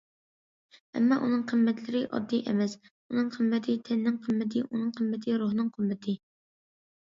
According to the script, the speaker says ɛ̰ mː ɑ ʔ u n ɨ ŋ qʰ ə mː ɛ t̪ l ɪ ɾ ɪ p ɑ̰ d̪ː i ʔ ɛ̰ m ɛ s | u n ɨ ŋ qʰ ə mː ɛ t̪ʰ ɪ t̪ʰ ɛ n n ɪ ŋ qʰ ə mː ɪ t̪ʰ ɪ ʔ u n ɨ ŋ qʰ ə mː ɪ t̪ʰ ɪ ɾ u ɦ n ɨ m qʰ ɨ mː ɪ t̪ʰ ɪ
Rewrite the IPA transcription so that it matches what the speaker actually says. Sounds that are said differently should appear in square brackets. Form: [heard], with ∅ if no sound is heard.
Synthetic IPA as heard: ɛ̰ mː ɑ ʔ u n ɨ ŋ qʰ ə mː ɛ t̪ l ɪ ɾ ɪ [ʔ] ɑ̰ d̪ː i ʔ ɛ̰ m ɛ s | u n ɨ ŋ qʰ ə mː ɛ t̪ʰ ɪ t̪ʰ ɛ n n ɪ ŋ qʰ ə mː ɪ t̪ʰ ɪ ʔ u n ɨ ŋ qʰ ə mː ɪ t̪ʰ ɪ ɾ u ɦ n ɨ [ŋ] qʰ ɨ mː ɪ t̪ʰ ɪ